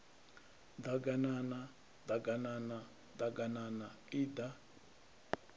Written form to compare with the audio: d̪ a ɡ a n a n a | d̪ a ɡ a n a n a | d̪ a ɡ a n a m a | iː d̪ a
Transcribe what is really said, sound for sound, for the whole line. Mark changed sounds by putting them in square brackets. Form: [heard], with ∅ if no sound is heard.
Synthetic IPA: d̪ a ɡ a n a n a | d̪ a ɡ a n a n a | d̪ a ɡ a n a [n] a | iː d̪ a